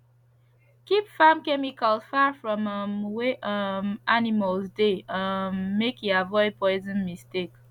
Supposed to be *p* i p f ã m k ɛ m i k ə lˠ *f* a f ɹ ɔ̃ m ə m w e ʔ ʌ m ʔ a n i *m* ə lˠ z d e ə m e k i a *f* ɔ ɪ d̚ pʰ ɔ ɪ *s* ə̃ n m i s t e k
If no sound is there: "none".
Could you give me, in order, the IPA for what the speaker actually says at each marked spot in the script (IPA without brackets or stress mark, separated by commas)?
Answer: k, f, m, v, z